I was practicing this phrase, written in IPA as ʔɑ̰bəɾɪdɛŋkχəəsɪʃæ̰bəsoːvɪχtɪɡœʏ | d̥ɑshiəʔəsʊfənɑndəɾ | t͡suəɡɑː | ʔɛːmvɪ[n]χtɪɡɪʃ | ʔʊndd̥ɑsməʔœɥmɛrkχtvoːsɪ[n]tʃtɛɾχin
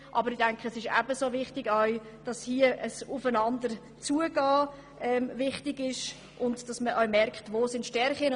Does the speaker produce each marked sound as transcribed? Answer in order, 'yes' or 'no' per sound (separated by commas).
no, yes